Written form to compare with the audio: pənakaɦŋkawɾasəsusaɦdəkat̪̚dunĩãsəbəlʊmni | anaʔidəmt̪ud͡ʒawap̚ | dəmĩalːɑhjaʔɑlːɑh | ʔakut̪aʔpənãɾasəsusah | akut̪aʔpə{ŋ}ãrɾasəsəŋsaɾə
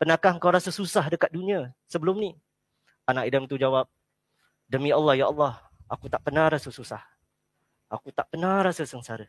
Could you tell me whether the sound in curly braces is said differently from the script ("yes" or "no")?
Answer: yes